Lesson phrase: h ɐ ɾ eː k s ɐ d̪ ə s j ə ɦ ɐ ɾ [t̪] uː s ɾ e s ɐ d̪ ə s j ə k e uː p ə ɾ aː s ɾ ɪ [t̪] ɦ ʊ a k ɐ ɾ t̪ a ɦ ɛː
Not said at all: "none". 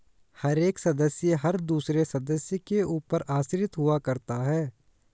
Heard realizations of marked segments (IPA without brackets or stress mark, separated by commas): d̪, t̪